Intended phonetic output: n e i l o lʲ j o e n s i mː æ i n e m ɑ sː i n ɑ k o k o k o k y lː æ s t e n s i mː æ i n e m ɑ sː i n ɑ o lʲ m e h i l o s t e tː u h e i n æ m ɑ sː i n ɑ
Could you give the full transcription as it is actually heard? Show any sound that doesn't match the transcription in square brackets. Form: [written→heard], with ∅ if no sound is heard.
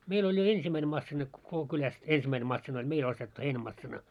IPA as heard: [n→m] e i l o lʲ j o e n s i mː æ i n e m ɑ sː i n ɑ k o k o k o k y [lː→l] æ s t e n s i mː æ i n e m ɑ sː i n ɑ o lʲ m e [h→∅] i l o s t e tː u h e i n æ m ɑ sː i n ɑ